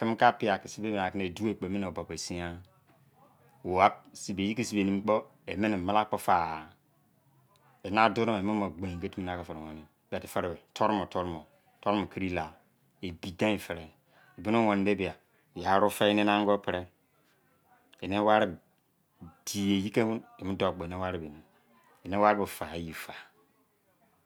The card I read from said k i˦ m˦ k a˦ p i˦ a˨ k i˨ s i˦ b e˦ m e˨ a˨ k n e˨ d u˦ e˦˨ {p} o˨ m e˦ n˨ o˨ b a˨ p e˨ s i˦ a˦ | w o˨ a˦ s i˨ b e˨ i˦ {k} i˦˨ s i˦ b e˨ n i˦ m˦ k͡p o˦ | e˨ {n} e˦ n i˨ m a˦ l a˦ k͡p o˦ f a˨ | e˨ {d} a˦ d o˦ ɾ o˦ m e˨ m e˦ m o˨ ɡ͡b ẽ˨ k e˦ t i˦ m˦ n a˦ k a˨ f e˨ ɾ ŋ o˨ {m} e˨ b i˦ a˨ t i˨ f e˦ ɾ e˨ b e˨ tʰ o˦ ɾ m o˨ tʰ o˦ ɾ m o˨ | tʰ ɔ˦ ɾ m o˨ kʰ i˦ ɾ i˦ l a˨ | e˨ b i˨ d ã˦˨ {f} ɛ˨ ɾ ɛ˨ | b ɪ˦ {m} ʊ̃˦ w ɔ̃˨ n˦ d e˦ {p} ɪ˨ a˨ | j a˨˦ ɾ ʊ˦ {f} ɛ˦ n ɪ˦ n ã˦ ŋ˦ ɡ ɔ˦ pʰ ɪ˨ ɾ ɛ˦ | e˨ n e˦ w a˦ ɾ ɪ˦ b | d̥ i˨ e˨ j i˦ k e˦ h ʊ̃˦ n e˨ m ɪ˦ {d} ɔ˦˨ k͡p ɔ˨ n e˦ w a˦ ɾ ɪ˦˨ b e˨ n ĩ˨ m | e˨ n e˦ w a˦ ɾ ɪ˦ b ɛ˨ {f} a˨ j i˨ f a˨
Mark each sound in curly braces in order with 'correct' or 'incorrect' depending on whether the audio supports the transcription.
incorrect: k͡p, correct, incorrect: m, incorrect: n, incorrect: n, correct, incorrect: n, incorrect: b, correct, correct, correct

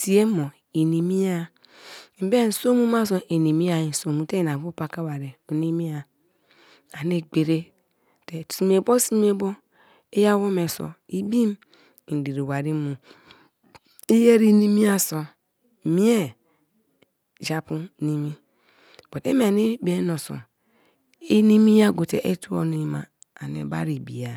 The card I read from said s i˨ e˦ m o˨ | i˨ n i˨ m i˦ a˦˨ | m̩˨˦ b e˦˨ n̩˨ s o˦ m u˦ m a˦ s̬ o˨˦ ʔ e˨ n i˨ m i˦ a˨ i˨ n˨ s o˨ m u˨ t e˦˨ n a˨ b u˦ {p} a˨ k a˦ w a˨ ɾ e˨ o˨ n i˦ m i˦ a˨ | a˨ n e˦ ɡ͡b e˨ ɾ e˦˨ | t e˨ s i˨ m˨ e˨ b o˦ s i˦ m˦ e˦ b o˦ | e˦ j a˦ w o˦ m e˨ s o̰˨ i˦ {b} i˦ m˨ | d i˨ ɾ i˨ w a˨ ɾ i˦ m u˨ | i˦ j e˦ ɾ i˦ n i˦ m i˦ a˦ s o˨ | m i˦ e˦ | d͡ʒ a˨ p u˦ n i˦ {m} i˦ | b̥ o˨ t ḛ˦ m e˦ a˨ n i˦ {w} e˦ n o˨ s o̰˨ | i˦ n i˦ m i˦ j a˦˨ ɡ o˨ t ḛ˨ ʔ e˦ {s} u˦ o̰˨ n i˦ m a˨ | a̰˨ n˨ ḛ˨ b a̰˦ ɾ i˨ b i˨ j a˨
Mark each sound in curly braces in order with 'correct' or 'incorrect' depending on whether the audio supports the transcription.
correct, correct, correct, incorrect: b, incorrect: t

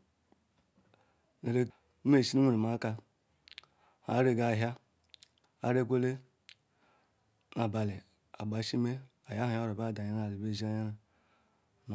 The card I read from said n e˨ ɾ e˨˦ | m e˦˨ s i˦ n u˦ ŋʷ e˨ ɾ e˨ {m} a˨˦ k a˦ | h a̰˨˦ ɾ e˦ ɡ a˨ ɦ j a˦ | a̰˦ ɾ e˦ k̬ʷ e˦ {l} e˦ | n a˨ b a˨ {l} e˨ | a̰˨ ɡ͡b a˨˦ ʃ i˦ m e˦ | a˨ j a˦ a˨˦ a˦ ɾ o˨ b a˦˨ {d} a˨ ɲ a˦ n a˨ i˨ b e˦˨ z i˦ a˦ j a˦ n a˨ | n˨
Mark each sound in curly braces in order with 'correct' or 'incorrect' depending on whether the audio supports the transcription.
correct, correct, correct, correct

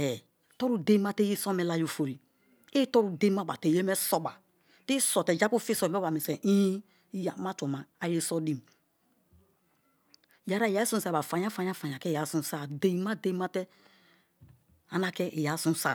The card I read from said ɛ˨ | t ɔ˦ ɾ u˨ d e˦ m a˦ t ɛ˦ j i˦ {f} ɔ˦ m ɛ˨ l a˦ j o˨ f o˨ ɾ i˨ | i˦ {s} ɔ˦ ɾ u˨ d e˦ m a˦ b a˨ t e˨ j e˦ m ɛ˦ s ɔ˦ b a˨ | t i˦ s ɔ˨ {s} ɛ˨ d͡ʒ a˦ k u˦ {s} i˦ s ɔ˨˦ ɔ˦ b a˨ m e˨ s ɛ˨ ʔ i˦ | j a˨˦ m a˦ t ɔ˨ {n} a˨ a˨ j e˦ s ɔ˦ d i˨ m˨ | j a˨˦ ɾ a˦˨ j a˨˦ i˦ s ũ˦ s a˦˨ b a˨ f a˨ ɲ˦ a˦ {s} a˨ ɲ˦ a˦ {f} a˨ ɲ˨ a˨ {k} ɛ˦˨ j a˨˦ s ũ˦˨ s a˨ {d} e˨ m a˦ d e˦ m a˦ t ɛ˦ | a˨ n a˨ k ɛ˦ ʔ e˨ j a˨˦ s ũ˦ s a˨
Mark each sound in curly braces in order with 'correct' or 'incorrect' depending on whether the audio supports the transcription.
incorrect: s, incorrect: t, incorrect: t, incorrect: f, incorrect: m, incorrect: f, correct, correct, correct

